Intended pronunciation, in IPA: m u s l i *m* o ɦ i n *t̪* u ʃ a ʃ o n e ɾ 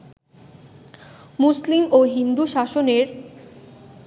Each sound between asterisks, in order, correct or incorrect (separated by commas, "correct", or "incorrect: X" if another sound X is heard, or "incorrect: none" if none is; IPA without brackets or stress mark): correct, incorrect: d̪